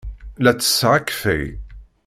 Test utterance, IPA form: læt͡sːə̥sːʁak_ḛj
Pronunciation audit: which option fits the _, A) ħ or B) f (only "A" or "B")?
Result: B